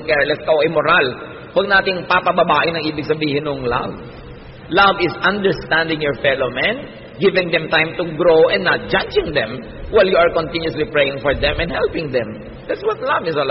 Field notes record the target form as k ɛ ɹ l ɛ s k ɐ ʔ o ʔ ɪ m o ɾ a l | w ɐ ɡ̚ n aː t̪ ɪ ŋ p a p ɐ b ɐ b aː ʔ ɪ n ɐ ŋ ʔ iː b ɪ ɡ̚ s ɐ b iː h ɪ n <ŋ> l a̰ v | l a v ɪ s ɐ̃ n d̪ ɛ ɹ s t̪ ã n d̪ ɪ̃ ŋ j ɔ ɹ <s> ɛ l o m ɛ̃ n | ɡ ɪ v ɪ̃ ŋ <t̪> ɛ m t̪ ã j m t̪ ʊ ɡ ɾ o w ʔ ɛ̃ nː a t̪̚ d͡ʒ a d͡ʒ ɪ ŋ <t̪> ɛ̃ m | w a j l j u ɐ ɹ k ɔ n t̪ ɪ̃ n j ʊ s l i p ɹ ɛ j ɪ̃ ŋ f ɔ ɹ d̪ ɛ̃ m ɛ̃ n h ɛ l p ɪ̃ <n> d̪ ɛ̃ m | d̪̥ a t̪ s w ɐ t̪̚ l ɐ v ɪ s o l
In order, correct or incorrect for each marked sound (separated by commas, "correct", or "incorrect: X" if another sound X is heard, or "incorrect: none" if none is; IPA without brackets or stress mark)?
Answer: correct, incorrect: f, incorrect: d̪, incorrect: d̪, incorrect: ŋ